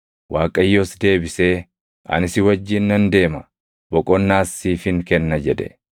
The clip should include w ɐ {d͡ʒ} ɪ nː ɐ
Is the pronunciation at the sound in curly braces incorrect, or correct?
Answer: incorrect: d͡ʒː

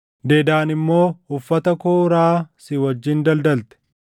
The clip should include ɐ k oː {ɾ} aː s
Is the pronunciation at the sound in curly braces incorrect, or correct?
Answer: correct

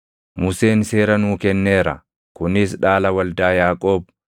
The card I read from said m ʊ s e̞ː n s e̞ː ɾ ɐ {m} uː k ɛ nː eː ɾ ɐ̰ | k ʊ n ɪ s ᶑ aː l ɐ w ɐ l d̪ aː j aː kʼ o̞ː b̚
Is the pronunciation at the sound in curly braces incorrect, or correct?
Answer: incorrect: n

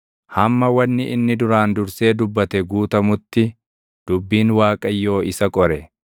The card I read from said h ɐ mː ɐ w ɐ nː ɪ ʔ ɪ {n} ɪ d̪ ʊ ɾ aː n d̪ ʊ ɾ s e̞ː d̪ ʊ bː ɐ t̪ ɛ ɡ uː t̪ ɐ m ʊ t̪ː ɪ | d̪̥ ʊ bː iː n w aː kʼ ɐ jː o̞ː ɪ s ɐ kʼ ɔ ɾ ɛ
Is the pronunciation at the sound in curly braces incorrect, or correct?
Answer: incorrect: nː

